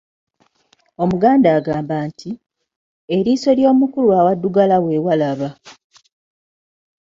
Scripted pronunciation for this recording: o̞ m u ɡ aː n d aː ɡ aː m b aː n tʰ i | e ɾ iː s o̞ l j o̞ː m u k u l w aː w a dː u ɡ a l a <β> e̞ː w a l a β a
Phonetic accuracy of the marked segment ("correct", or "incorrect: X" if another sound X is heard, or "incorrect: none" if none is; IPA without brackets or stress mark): incorrect: w